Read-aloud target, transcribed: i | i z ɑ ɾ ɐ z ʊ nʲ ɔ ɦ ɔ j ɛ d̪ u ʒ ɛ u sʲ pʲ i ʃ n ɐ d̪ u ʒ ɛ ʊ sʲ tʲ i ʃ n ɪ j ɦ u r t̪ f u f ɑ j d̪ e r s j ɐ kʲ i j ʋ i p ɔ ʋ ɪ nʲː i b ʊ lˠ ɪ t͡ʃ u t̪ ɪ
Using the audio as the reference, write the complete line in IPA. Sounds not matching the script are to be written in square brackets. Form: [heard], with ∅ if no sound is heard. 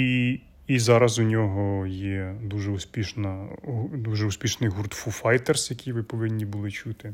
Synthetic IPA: i | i z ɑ ɾ ɐ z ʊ nʲ ɔ ɦ ɔ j ɛ d̪ u ʒ ɛ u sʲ pʲ i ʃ n ɐ d̪ u ʒ ɛ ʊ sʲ [pʲ] i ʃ n ɪ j ɦ u r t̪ f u f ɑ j [t̪] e r s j ɐ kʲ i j ʋ [ɪ] p ɔ ʋ ɪ nʲː i b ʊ lˠ ɪ t͡ʃ u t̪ ɪ